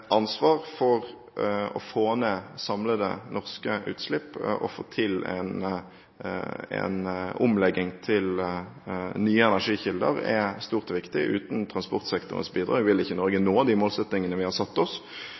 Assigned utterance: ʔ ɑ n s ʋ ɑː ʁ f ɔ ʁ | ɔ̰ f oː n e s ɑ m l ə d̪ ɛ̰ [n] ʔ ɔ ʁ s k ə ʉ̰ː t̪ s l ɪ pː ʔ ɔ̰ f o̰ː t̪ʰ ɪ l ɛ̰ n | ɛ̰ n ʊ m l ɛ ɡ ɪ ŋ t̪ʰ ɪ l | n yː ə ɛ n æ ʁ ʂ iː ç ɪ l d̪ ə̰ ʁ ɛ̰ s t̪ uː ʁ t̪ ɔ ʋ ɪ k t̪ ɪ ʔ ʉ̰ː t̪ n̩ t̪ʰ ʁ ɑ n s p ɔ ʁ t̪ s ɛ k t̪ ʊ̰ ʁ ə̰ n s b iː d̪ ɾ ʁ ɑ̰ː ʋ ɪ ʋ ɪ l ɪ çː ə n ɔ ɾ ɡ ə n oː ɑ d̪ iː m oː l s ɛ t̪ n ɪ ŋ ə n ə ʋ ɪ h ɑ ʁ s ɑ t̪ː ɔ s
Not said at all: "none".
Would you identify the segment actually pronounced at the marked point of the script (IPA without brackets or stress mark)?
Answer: n